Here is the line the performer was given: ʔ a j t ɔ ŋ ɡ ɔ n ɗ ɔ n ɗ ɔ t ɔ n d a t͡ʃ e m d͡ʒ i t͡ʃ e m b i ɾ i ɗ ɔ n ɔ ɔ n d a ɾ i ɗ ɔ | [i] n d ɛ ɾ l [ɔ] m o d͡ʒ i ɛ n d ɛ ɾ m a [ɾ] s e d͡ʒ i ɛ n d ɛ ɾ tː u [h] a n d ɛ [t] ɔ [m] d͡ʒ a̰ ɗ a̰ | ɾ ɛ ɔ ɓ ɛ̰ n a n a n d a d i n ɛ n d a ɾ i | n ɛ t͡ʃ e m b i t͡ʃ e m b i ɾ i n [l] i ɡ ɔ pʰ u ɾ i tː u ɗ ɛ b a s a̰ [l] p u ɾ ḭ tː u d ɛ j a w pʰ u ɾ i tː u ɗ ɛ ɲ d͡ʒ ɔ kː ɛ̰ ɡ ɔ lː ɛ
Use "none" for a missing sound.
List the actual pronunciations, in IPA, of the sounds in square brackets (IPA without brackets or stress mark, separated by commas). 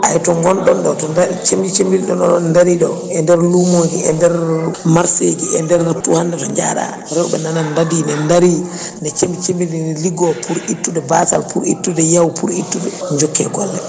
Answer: ɛ, u, ɾ, h, t, ɲ, l, l